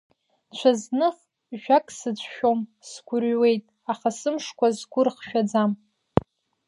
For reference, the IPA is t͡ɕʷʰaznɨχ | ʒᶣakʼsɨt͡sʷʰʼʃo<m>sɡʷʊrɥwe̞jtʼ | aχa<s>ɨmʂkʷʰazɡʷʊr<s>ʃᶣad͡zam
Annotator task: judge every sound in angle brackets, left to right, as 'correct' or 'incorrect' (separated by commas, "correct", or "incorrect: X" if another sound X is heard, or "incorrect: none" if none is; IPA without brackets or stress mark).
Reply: correct, correct, incorrect: χ